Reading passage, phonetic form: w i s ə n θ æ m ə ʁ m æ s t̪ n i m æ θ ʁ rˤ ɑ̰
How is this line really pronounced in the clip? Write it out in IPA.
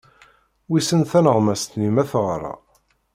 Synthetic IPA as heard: w i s ə n θ æ n ə ʁ m æ s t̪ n i m æ θ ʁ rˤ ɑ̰